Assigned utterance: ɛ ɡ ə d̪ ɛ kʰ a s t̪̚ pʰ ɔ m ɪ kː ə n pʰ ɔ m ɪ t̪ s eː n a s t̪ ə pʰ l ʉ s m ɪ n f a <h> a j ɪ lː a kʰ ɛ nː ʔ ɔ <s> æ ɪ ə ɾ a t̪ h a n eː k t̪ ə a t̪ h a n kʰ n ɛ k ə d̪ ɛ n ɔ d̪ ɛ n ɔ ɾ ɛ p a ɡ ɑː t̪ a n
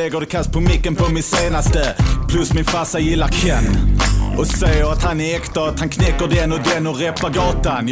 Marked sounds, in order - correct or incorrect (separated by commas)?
incorrect, correct